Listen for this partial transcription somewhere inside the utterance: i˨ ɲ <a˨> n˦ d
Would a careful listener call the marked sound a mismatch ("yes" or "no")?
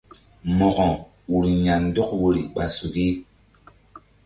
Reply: no